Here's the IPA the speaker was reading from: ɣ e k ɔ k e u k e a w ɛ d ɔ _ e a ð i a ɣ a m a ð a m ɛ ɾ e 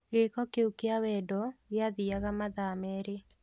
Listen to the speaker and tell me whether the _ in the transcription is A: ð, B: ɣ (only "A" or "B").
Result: B